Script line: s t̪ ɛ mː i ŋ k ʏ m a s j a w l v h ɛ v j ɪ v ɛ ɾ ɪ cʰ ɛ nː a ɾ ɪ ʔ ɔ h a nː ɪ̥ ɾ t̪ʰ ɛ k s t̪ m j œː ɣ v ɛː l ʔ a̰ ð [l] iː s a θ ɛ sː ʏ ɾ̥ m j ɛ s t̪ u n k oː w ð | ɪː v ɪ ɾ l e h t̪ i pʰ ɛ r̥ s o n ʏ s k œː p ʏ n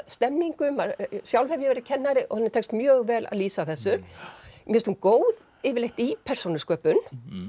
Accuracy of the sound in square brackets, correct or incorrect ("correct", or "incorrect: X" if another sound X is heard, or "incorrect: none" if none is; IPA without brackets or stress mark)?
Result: correct